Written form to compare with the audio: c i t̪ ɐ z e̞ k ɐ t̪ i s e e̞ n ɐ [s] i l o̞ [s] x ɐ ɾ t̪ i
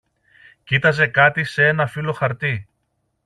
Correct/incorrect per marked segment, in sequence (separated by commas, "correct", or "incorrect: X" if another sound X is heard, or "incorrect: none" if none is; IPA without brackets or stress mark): incorrect: f, incorrect: none